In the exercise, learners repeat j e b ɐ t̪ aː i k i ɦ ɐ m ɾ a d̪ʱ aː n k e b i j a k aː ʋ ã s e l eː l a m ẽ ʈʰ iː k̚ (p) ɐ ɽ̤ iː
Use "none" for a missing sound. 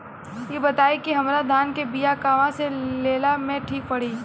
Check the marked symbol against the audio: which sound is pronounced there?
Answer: p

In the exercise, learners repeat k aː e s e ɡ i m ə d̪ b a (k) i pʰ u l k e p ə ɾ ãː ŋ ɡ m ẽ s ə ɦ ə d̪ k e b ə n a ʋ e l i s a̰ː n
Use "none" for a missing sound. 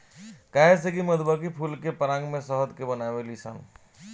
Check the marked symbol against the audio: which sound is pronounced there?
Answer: k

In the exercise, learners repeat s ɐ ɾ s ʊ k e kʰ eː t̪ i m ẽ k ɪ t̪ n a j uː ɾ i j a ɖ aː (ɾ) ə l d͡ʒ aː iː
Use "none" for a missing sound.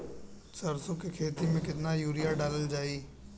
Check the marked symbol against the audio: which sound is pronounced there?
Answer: l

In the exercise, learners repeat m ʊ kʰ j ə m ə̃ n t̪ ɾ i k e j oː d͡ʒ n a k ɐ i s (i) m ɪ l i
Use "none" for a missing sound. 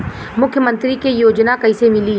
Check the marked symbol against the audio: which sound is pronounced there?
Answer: e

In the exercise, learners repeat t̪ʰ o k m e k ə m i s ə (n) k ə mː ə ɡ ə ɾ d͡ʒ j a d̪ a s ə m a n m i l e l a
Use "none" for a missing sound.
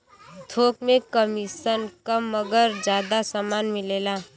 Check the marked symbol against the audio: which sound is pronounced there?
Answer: n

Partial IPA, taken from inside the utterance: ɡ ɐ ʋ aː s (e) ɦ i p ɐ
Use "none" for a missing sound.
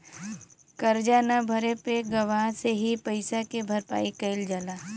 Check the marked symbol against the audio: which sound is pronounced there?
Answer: e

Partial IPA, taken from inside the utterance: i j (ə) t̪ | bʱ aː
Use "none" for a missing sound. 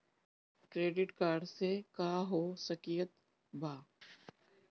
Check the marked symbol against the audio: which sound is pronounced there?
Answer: ə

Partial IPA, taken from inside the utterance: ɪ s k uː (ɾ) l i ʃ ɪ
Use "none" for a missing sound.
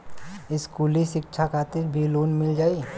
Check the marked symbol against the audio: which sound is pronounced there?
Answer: none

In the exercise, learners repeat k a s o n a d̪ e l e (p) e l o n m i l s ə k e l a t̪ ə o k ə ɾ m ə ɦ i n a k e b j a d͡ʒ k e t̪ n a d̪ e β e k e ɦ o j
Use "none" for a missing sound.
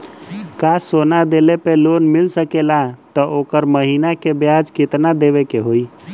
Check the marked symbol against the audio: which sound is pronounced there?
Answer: p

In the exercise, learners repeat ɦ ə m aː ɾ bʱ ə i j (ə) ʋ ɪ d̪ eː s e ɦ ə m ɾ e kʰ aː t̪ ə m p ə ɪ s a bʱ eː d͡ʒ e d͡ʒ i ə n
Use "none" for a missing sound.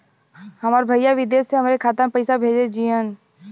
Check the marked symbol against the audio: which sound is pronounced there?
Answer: a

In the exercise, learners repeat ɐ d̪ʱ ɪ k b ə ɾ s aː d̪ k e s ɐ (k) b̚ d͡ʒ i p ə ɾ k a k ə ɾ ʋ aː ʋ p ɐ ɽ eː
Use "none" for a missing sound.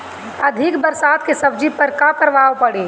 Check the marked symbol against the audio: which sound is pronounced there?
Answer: none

